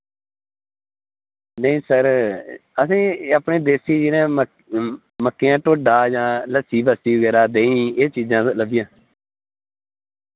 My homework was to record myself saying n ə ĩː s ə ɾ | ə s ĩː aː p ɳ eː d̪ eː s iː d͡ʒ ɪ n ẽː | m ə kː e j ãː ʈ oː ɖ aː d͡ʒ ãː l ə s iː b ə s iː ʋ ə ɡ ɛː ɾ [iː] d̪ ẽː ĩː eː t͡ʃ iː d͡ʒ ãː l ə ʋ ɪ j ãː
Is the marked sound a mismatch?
yes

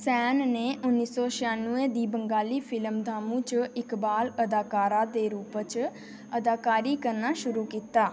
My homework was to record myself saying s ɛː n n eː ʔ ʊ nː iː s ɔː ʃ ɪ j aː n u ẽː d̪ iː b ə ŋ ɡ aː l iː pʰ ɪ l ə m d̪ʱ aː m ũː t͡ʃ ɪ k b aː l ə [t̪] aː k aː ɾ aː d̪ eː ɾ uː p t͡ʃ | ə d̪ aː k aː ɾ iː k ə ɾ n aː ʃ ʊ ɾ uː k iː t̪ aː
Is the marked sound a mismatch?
yes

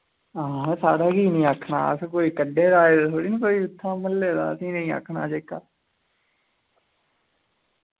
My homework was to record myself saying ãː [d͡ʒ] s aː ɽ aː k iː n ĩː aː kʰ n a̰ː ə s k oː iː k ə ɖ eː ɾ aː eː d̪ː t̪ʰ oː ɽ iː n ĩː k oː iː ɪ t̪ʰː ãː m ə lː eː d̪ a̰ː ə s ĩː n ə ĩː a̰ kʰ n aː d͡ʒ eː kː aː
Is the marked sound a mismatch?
yes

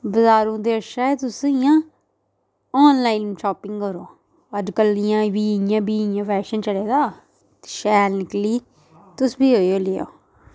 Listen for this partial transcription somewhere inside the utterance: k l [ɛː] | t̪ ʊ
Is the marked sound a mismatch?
yes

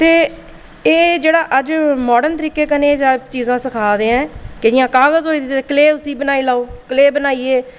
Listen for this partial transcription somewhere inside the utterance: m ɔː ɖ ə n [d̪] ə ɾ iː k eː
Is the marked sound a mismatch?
yes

